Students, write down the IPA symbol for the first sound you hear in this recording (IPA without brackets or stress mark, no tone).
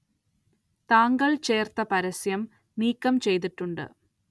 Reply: t̪